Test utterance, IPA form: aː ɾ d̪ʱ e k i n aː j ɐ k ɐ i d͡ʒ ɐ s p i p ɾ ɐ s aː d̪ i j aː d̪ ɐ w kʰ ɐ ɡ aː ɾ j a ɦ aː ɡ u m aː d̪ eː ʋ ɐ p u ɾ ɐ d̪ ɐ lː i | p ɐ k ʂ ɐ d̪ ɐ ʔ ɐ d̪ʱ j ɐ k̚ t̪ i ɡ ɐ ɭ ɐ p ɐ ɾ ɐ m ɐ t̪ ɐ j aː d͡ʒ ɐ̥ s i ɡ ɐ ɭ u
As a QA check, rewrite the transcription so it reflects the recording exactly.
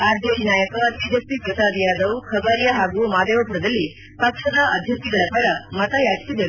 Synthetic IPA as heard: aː ɾ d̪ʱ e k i n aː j ɐ k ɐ i d͡ʒ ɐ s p i p ɾ ɐ s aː d̪ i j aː d̪ ɐ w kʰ ɐ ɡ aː ɾ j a ɦ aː ɡ u m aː d̪ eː ʋ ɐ p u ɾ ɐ d̪ ɐ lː i | p ɐ k ʂ ɐ d̪ ɐ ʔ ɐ d̪ʱ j ɐ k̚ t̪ i ɡ ɐ ɭ ɐ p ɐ ɾ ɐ m ɐ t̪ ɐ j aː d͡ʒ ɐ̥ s i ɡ ɐ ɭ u